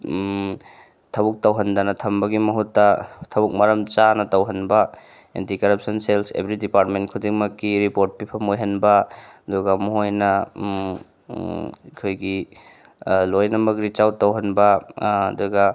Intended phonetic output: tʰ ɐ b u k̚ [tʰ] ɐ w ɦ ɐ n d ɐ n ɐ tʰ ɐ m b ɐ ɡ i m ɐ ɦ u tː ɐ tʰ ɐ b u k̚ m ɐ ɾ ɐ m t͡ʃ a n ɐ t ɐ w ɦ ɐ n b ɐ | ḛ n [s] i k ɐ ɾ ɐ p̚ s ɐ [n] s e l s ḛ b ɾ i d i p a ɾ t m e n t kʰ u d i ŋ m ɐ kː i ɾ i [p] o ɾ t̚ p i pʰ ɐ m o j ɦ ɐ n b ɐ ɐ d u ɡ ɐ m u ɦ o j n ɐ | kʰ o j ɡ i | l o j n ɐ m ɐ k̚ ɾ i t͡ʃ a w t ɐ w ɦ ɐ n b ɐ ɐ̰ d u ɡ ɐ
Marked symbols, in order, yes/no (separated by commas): no, no, yes, yes